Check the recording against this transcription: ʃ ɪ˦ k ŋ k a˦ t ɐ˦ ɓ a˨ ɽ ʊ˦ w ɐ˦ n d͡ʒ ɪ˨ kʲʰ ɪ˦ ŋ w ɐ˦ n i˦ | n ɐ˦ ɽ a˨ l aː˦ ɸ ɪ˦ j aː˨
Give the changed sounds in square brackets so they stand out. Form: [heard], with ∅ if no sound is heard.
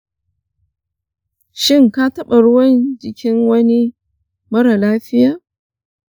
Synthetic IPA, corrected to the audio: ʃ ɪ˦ [∅] ŋ k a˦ t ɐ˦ ɓ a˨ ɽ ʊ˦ w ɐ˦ n d͡ʒ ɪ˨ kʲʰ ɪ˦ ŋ w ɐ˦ n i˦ | [m] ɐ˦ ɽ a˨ l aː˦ ɸ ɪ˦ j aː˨